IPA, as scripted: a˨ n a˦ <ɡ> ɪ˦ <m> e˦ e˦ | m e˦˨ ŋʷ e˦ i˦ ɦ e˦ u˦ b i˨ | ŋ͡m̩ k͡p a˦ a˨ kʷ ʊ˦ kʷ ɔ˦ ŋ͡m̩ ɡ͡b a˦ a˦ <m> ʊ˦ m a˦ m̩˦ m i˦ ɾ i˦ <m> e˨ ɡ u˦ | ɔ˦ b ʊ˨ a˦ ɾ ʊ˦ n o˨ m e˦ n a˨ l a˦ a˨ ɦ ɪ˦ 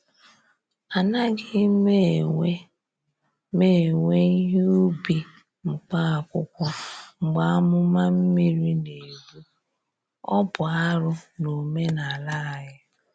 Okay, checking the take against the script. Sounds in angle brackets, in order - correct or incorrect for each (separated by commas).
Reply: correct, correct, correct, incorrect